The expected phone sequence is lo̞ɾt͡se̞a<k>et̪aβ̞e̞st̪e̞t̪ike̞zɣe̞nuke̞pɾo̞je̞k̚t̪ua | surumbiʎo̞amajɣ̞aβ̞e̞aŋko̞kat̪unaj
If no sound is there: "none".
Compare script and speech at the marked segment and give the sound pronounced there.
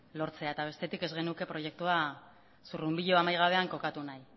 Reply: none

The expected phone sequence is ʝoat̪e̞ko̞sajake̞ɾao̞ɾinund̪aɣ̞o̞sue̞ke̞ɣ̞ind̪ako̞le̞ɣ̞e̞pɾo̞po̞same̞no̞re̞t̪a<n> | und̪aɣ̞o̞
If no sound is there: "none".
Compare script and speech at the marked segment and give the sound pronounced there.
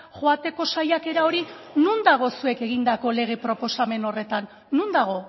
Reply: nː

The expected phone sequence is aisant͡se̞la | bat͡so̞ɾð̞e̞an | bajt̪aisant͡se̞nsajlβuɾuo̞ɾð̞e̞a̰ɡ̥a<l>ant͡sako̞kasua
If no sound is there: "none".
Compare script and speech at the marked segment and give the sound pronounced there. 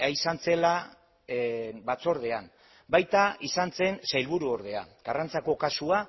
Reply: r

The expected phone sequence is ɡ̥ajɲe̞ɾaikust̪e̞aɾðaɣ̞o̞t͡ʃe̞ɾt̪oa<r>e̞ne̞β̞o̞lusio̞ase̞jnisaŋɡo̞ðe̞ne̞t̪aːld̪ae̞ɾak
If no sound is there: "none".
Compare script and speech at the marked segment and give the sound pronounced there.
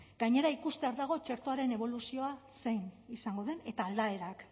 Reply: ɾ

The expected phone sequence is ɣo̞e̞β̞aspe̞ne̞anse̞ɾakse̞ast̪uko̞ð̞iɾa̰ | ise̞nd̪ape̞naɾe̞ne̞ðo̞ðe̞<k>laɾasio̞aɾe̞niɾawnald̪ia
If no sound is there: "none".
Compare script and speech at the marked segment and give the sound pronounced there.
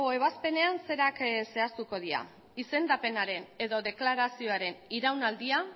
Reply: k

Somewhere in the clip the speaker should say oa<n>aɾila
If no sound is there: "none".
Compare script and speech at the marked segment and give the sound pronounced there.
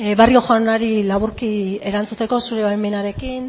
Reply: n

